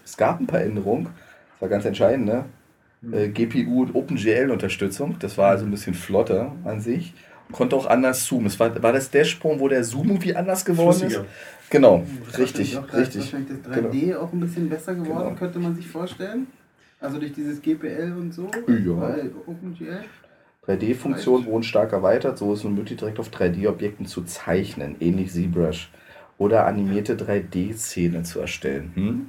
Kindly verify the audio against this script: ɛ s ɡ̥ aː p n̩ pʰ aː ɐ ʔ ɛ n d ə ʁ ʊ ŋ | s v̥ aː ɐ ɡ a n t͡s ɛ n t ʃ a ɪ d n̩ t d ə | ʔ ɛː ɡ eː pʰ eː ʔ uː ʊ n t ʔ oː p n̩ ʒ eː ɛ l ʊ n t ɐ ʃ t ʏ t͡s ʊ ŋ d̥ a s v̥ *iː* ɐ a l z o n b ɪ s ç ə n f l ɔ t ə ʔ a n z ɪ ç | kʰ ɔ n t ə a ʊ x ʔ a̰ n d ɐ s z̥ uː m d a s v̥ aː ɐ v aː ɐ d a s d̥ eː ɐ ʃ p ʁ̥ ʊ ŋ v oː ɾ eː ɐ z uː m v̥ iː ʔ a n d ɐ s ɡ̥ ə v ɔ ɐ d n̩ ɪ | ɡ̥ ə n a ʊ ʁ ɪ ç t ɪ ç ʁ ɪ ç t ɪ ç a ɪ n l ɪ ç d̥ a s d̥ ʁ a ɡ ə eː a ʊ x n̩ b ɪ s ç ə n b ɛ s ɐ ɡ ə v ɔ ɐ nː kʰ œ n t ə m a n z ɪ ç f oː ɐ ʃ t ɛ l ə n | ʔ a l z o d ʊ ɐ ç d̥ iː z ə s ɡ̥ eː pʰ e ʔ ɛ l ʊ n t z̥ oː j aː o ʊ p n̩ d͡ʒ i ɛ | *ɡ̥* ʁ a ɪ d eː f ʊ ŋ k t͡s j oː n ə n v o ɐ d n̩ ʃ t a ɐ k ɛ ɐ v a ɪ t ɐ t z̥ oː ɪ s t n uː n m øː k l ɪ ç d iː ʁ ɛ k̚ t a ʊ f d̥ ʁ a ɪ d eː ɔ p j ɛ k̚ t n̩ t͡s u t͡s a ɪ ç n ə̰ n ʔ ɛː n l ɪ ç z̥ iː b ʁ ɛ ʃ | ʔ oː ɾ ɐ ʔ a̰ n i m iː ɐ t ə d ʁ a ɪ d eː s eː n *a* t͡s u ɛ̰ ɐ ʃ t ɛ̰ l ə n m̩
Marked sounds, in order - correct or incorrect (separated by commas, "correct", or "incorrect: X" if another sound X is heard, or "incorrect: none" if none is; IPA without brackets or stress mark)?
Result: incorrect: aː, incorrect: d̥, incorrect: ə